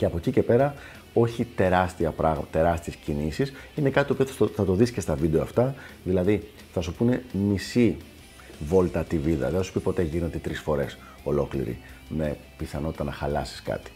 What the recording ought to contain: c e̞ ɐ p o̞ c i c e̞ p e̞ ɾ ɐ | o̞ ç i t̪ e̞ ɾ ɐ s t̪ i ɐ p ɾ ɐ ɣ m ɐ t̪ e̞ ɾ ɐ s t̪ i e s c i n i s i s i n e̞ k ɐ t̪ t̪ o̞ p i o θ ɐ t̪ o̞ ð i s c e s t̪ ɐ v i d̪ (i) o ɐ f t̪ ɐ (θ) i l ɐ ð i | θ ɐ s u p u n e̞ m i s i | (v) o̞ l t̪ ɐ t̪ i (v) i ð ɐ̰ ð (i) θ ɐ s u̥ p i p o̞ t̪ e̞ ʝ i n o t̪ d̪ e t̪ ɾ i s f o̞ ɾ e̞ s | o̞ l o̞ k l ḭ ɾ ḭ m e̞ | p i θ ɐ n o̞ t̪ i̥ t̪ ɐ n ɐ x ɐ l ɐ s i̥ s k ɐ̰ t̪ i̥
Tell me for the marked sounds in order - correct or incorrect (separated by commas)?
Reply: incorrect, incorrect, correct, correct, incorrect